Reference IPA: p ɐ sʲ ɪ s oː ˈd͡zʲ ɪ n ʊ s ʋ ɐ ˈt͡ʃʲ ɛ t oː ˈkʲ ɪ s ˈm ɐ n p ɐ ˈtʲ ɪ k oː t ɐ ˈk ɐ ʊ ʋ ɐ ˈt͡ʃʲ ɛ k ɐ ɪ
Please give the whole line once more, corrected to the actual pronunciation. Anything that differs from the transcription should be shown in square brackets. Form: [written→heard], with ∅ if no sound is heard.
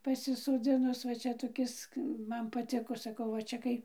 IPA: p ɐ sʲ ɪ s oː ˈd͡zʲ ɪ n ʊ s ʋ ɐ ˈt͡ʃʲ ɛ t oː ˈkʲ ɪ s ˈm ɐ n p ɐ ˈtʲ ɪ k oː [t→s] ɐ ˈk ɐ ʊ ʋ ɐ ˈt͡ʃʲ ɛ k ɐ ɪ